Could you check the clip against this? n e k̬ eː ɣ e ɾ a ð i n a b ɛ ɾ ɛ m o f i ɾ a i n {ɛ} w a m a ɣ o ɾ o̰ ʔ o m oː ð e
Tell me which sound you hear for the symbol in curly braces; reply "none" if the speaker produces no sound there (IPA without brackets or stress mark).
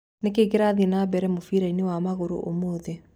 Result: e